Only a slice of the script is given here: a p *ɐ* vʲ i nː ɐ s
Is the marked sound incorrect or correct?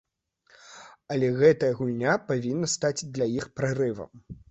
incorrect